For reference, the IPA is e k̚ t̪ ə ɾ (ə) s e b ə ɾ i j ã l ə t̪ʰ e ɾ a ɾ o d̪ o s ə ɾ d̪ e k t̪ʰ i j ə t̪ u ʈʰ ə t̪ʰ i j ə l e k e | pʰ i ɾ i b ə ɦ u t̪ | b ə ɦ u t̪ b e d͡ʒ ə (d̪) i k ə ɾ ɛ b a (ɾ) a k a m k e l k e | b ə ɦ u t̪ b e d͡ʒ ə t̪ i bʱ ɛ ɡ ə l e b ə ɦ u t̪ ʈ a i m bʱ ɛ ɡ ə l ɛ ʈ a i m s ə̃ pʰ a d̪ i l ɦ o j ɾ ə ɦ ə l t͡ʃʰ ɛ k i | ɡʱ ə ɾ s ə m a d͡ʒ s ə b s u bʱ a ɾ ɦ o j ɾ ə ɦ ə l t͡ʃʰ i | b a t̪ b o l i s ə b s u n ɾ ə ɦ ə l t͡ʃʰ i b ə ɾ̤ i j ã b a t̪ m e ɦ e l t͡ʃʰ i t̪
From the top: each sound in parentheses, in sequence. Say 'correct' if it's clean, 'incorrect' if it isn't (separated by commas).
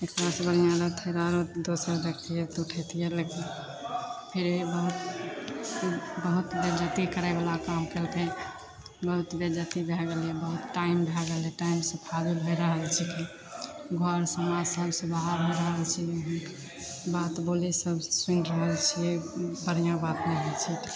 incorrect, incorrect, incorrect